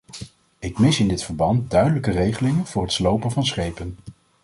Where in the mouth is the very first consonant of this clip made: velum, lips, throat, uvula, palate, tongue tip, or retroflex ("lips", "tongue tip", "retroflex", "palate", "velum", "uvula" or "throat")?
velum